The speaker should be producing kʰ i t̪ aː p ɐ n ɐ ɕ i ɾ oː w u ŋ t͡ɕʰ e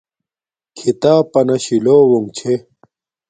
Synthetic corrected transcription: kʰ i t̪ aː p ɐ n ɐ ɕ i l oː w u ŋ t͡ɕʰ e